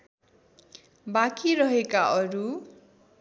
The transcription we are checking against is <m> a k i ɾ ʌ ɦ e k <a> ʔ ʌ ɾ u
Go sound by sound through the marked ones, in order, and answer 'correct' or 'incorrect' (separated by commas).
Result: incorrect, correct